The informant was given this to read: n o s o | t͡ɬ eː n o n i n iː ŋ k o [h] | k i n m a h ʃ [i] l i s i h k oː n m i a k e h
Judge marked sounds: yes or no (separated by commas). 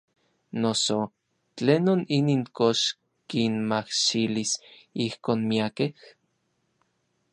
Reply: no, yes